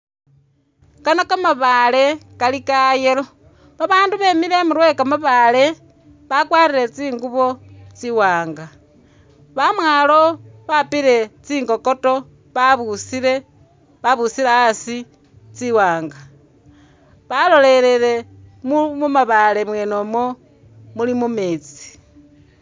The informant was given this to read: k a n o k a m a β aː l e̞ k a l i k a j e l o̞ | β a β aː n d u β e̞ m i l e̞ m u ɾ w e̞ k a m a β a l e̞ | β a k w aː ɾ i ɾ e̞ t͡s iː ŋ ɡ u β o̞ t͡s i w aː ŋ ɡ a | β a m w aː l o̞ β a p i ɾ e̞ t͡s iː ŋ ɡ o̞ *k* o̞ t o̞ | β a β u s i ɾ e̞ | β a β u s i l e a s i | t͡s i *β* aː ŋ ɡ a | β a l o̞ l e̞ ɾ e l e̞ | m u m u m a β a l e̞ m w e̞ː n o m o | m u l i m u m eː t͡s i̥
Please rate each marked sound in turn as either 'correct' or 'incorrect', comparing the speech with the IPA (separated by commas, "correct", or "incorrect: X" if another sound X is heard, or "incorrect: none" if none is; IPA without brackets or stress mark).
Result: correct, incorrect: w